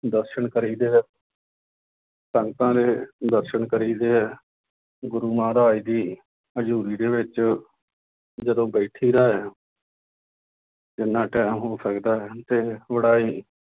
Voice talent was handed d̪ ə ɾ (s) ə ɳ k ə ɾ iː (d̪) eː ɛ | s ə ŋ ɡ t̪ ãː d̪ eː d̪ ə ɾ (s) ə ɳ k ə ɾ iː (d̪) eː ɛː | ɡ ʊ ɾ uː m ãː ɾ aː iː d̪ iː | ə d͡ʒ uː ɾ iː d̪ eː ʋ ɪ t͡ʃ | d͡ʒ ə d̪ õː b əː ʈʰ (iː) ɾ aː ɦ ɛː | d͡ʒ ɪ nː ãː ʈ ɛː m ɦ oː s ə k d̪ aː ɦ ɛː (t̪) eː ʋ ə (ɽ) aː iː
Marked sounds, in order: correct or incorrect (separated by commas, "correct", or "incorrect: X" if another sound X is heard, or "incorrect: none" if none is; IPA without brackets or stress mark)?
incorrect: ʃ, correct, incorrect: ʃ, correct, correct, correct, correct